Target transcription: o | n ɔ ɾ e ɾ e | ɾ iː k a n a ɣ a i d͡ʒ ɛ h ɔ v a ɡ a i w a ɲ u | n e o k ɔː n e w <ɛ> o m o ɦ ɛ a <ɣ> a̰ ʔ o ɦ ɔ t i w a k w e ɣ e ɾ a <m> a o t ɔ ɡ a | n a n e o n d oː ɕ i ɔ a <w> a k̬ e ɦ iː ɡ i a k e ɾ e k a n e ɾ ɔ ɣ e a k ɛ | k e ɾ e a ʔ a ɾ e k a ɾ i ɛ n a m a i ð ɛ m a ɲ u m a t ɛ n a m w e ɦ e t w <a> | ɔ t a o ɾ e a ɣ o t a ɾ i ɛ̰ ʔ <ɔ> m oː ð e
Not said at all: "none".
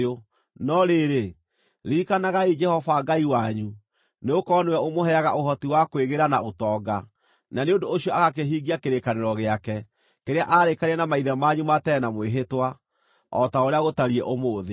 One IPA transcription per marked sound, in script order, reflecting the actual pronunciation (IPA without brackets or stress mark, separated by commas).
ɛ, ɣ, n, ɣ, a, o